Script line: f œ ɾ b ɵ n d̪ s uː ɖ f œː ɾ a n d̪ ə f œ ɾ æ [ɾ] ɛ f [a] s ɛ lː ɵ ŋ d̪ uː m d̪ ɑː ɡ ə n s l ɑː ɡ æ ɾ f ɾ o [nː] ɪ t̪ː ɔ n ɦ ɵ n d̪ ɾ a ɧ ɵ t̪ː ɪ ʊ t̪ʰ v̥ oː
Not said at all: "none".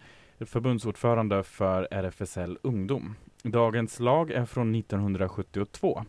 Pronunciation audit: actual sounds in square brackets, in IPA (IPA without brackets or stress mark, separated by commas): ɾ, ɛ, nː